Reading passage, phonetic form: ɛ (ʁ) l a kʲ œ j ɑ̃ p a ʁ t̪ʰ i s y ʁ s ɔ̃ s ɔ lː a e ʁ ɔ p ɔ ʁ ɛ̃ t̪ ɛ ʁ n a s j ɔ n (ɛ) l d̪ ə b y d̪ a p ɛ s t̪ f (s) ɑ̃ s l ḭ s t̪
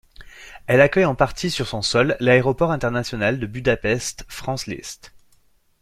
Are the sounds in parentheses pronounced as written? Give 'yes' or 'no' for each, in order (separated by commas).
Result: no, no, no